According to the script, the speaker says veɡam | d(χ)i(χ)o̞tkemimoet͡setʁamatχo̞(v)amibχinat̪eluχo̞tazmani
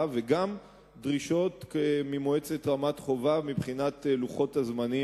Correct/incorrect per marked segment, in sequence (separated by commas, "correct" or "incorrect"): incorrect, incorrect, correct